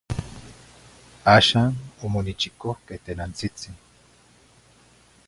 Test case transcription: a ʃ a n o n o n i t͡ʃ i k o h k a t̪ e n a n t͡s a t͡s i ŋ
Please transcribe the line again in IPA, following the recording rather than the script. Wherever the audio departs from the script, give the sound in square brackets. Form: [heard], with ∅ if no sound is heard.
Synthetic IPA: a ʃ a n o [m] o n i t͡ʃ i k o h k [e] t̪ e n a n t͡s [i] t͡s i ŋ